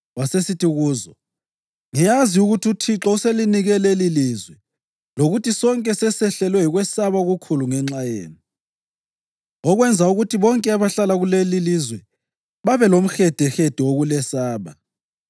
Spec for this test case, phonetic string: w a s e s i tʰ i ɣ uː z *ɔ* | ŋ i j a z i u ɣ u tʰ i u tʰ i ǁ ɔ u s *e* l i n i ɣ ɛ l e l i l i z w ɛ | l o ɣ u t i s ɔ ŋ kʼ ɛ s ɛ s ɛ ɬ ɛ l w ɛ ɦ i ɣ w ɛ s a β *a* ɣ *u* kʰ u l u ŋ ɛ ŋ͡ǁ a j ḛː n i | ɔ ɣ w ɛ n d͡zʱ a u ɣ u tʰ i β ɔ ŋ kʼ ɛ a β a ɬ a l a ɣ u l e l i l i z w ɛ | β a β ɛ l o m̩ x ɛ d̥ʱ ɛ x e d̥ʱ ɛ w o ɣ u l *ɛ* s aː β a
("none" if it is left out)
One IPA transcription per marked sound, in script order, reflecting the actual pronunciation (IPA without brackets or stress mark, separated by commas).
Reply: ɔ, e, a, u, ɛ